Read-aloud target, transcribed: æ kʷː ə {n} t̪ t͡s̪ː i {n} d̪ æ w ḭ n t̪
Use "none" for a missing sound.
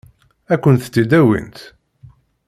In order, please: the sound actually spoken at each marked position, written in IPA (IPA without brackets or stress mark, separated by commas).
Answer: n, none